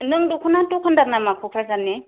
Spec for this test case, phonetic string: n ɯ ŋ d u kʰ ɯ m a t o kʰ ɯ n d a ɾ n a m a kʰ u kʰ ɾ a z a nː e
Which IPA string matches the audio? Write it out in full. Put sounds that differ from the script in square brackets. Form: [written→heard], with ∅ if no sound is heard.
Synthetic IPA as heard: n ɯ ŋ d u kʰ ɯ [m→n] a t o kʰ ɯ n d a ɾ n a m a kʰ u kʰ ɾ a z a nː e

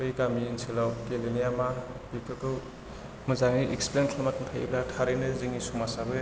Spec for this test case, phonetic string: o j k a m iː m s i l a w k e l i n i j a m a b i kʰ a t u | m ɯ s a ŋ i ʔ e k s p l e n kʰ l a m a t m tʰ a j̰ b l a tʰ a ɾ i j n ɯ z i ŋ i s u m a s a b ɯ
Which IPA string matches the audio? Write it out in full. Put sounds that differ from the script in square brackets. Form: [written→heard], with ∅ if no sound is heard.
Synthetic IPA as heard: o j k a m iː [m→n] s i l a w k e l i n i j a m a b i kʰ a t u | m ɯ [s→z] a ŋ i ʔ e k s p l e n kʰ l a m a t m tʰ a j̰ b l a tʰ a ɾ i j n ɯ z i ŋ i s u m a s a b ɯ

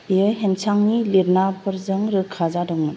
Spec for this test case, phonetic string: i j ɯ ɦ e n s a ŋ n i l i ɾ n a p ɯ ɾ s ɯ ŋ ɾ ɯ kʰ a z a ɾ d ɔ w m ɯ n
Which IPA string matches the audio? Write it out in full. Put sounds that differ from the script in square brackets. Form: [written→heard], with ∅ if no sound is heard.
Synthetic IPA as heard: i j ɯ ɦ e n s a ŋ n i l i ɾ n a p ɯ ɾ [s→z] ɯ ŋ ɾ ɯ kʰ a z a [ɾ→∅] d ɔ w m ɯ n

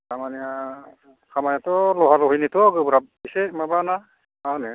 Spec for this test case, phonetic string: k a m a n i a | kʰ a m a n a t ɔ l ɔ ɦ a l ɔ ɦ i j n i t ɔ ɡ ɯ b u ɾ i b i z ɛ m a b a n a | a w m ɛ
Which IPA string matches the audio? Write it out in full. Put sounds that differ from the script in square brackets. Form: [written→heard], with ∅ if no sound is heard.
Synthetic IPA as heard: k a m a n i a | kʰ a m a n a t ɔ l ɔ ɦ a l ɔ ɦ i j n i t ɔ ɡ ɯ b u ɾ [i→a] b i [z→s] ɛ m a b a n a | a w [m→n] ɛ

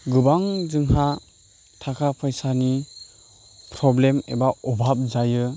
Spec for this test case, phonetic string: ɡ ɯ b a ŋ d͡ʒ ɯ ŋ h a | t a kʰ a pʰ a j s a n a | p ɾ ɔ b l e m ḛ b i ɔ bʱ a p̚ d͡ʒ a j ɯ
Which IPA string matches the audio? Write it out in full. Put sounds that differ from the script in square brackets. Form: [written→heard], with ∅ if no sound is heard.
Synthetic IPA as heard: ɡ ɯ b a ŋ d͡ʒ ɯ ŋ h a | [t→tʰ] a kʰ a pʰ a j s a n [a→i] | p ɾ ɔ b l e m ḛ b [i→a] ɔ bʱ a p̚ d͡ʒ a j ɯ

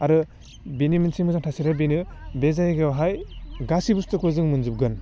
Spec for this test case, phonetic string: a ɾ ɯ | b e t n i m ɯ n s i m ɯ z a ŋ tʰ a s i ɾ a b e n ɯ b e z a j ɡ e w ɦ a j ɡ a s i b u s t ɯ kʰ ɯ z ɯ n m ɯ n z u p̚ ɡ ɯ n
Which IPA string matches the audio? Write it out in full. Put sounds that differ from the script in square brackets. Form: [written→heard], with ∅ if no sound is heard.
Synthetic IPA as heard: a ɾ ɯ | b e [t→∅] n i m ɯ n s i m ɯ z a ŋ tʰ a s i ɾ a b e n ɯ b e z a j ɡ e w ɦ a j ɡ a s i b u s t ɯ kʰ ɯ z ɯ [n→ŋ] m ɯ n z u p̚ ɡ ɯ n

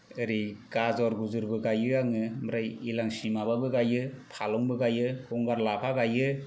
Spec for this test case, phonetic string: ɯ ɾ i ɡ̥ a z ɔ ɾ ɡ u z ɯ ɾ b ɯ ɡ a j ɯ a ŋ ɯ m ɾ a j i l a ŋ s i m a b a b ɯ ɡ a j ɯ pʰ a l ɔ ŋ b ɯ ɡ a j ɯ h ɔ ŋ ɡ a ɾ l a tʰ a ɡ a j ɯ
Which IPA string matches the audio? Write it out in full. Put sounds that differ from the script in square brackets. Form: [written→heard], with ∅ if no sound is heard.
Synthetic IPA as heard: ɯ ɾ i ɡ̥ a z ɔ ɾ ɡ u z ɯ ɾ b ɯ ɡ a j ɯ a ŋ ɯ m ɾ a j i l a ŋ s i m a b a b ɯ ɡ a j ɯ pʰ a l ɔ ŋ b ɯ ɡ a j ɯ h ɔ ŋ ɡ a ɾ l a [tʰ→pʰ] a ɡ a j ɯ

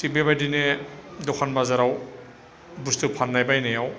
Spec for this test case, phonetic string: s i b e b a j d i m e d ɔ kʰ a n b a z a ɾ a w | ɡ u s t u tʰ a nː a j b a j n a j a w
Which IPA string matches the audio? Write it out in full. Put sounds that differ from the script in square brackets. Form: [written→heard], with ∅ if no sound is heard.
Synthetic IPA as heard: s i b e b a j d i [m→n] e d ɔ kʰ a n b a z a ɾ a w | [ɡ→b] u s t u [tʰ→pʰ] a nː a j b a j n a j a w

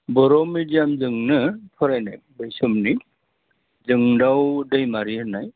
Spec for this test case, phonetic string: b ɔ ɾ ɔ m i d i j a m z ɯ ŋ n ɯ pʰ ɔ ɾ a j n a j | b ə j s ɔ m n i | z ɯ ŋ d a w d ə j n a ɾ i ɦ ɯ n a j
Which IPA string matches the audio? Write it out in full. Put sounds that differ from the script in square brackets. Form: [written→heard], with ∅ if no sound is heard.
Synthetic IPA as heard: b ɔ ɾ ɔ m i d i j a m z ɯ ŋ n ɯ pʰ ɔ ɾ a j n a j | b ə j s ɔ m n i | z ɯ ŋ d a w d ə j [n→m] a ɾ i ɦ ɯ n a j

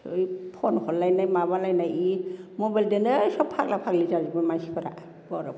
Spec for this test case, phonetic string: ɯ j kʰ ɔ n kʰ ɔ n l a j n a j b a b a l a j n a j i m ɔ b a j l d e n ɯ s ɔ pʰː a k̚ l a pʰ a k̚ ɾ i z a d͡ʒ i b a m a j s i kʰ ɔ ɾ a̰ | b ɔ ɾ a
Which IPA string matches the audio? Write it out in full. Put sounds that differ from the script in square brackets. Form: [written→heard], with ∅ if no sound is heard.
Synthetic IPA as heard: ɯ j [kʰ→pʰ] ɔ n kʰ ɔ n l a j n a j [b→m] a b a l a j n a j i m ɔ b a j l d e n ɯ s ɔ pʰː a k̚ l a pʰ a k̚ [ɾ→l] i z a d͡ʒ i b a m a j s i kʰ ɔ ɾ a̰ | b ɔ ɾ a

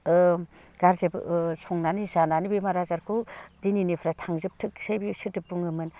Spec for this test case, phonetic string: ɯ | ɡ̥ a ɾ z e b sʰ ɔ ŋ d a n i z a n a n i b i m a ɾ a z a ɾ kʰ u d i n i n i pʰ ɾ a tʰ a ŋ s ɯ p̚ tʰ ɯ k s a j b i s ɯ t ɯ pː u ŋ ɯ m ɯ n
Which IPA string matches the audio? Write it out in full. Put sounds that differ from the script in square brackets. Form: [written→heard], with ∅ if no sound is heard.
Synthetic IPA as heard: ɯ | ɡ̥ a ɾ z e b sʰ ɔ ŋ [d→n] a n i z a n a n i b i m a ɾ a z a ɾ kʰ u d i n i n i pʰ ɾ a tʰ a ŋ [s→z] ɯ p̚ tʰ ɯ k s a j b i s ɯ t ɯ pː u ŋ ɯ m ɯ n

